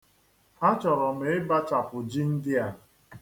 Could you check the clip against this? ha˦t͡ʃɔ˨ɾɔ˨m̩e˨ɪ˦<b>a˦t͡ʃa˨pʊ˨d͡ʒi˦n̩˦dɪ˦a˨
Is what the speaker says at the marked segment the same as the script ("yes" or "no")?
yes